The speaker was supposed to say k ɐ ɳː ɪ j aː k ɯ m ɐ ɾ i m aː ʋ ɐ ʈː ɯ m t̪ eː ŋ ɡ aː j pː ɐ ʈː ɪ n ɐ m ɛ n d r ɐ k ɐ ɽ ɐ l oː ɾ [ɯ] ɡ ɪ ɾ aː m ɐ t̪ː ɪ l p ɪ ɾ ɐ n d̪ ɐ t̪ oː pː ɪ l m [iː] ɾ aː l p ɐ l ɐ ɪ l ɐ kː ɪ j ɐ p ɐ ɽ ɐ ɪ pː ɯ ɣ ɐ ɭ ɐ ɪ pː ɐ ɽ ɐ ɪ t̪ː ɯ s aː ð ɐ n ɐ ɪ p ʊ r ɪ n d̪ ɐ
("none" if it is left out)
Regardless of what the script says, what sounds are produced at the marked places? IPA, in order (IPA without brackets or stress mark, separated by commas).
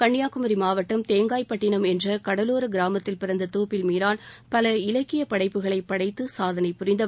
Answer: ɯ, iː